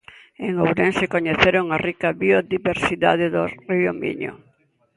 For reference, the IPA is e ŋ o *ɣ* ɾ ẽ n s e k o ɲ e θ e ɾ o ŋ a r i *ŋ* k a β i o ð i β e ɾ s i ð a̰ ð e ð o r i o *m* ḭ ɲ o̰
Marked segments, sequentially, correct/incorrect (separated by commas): incorrect, incorrect, correct